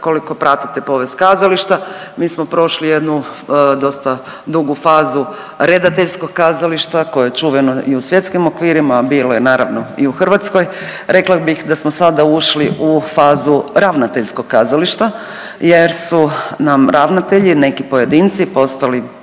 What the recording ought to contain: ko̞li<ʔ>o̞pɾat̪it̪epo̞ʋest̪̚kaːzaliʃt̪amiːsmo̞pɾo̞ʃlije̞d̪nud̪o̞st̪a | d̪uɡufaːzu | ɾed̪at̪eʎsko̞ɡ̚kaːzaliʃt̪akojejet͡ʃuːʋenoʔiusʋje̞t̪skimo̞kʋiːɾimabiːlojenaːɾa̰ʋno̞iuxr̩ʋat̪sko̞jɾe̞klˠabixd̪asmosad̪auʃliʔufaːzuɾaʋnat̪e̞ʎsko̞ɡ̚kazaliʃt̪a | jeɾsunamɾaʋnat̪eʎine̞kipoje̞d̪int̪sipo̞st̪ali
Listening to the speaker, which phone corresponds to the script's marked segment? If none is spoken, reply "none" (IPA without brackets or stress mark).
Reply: k